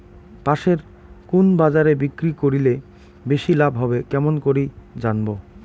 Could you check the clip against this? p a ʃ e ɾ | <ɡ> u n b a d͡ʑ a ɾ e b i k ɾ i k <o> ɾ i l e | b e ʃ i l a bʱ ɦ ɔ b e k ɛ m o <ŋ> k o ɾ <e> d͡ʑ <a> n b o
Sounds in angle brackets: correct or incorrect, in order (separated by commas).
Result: incorrect, correct, incorrect, incorrect, correct